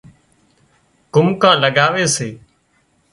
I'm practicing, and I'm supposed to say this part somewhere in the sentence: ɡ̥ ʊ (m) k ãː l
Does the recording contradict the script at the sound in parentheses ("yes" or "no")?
no